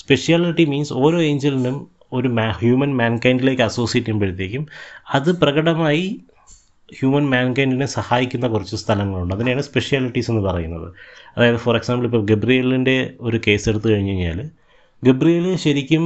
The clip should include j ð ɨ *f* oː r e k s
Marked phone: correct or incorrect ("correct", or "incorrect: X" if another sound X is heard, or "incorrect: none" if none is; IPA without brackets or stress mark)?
correct